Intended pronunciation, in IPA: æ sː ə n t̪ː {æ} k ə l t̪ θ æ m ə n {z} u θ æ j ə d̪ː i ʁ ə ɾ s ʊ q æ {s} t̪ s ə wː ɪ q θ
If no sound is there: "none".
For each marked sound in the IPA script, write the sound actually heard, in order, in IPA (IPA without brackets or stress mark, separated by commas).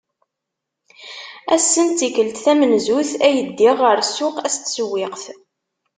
i, z, s